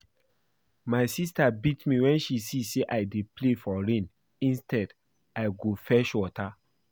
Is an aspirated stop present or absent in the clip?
absent